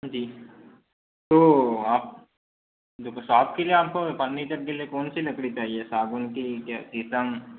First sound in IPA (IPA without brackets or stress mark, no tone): d͡ʒ